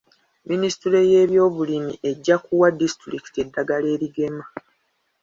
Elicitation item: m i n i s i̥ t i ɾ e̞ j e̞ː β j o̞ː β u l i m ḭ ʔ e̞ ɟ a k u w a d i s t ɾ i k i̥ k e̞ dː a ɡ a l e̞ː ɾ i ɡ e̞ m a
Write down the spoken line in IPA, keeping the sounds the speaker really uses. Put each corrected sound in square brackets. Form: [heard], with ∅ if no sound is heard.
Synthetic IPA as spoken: m i n i s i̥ t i ɾ e̞ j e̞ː β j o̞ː β u l i m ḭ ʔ e̞ [ɟː] a k u w a d i s t ɾ i k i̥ [t] e̞ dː a ɡ a l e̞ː ɾ i ɡ e̞ m a